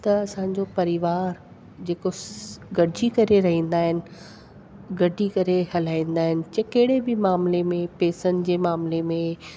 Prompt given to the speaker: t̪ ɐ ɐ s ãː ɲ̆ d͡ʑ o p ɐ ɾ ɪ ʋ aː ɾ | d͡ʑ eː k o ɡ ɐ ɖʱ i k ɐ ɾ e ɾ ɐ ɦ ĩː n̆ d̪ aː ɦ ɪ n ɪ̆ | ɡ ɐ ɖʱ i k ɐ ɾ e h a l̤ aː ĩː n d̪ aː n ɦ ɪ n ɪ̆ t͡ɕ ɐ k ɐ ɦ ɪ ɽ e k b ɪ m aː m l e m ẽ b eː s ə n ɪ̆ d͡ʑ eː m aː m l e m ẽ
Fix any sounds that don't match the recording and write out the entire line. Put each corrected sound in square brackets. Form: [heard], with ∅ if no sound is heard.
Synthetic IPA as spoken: t̪ ɐ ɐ s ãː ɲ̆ d͡ʑ o p ɐ ɾ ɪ ʋ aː ɾ | d͡ʑ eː k o ɡ ɐ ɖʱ i k ɐ ɾ e ɾ ɐ ɦ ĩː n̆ d̪ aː ɦ ɪ n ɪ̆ | ɡ ɐ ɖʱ i k ɐ ɾ e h [ɐ] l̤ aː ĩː n d̪ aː [∅] ɦ ɪ n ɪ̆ t͡ɕ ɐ k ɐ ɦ ɪ ɽ e [∅] b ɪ m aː m l e m ẽ [p] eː s ə n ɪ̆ d͡ʑ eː m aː m l e m ẽ